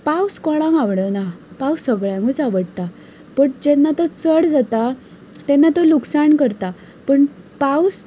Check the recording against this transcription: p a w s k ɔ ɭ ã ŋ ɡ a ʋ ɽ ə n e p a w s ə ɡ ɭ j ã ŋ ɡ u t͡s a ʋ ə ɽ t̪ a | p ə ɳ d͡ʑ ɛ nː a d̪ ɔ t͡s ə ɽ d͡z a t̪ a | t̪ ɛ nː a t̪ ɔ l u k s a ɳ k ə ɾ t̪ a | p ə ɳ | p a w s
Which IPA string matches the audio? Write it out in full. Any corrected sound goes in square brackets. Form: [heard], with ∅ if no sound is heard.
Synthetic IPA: p a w s k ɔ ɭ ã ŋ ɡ a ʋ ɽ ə n [a] p a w s ə ɡ ɭ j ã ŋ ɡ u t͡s a ʋ ə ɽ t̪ a | p ə ɳ d͡ʑ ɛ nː a [t̪] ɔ t͡s ə ɽ d͡z a t̪ a | t̪ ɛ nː a t̪ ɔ l u k s a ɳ k ə ɾ t̪ a | p ə ɳ | p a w s